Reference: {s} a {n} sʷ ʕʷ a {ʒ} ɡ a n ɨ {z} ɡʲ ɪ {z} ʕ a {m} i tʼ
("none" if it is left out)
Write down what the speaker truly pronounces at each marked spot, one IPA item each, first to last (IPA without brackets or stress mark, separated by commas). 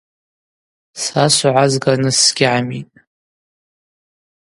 s, none, z, s, none, m